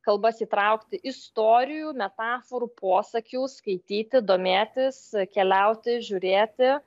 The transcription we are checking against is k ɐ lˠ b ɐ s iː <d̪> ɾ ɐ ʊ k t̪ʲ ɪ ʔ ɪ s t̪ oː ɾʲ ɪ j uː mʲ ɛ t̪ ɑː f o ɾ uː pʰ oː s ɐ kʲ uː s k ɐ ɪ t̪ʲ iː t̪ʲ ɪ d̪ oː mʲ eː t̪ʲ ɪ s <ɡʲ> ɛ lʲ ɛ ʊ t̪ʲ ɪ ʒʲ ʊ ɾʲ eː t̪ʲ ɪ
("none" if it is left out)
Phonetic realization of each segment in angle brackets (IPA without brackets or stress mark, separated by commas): t̪, kʲ